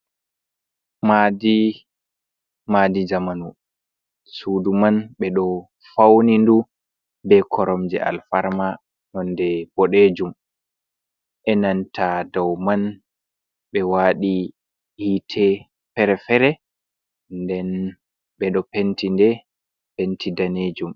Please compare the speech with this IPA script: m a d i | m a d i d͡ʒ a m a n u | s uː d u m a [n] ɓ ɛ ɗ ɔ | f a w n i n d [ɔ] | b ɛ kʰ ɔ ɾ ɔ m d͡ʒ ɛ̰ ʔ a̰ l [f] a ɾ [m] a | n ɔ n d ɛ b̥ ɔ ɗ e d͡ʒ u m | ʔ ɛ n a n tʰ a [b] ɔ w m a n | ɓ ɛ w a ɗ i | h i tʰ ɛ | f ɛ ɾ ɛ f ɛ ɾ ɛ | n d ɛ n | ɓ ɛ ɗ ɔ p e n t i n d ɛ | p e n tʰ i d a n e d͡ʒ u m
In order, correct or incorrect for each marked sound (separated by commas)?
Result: correct, incorrect, correct, correct, incorrect